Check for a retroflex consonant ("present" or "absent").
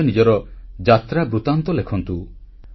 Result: absent